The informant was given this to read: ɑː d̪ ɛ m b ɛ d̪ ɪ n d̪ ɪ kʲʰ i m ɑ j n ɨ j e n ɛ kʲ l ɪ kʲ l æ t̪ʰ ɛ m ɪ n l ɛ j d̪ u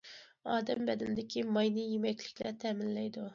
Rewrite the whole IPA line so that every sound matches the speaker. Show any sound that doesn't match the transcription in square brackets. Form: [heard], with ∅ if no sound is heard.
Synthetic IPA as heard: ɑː d̪ ɛ m b ɛ d̪ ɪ n d̪ ɪ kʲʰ i m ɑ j n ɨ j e [m] ɛ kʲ l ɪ kʲ l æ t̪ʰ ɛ m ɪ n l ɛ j d̪ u